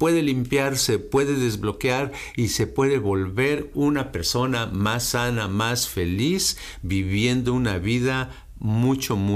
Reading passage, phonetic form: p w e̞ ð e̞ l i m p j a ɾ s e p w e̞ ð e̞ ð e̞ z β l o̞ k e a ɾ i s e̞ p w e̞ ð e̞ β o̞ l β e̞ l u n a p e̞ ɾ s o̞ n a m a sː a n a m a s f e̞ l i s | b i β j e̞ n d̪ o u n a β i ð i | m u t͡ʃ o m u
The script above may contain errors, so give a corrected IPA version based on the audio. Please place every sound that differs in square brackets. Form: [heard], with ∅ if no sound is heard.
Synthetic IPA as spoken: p w e̞ ð e̞ l i m p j a ɾ s e p w e̞ ð e̞ ð e̞ z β l o̞ k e a ɾ i s e̞ p w e̞ ð e̞ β o̞ l β e̞ [ɾ] u n a p e̞ ɾ s o̞ n a m a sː a n a m a s f e̞ l i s | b i β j e̞ n d̪ o u n a β i ð [a] | m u t͡ʃ o m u